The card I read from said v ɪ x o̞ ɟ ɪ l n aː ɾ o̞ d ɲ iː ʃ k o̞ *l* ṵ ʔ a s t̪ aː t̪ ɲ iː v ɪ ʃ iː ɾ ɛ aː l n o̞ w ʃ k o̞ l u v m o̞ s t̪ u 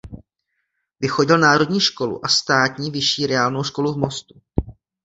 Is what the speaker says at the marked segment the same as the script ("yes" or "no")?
yes